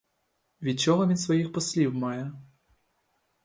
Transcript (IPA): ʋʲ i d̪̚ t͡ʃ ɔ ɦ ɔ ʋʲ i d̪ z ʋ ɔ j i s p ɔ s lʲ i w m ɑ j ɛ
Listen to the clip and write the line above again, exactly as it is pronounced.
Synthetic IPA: ʋʲ i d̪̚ t͡ʃ ɔ ɦ ɔ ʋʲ i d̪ s ʋ ɔ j i x p ɔ s lʲ i w m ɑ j ɛ